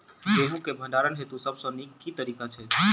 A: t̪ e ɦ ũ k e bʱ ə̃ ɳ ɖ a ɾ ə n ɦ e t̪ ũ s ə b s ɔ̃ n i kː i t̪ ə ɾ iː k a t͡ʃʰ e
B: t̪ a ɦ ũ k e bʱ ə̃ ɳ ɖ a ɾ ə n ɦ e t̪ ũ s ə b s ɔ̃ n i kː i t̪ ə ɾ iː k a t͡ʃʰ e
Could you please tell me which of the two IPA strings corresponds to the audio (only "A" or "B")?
A